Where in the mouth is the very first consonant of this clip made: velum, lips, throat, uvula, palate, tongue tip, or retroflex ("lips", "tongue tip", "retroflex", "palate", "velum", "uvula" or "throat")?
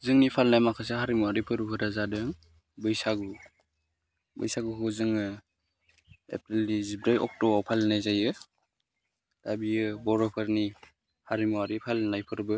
tongue tip